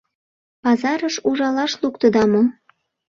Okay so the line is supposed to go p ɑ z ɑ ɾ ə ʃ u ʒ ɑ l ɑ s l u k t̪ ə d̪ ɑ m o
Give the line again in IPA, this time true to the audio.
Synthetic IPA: p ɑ z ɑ ɾ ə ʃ u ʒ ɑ l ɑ ʃ l u k t̪ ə d̪ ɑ m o